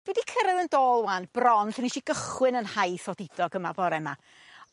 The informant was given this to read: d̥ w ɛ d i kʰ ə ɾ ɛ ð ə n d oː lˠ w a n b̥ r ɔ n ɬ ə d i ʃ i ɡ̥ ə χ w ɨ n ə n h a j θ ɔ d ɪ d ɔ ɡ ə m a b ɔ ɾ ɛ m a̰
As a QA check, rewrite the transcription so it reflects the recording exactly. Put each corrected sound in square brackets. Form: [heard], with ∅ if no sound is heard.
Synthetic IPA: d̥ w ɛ d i kʰ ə ɾ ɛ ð ə n d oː lˠ w a n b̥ r ɔ n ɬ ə [n] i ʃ i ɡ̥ ə χ w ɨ n ə n h a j θ ɔ d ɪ d ɔ ɡ ə m a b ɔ ɾ ɛ m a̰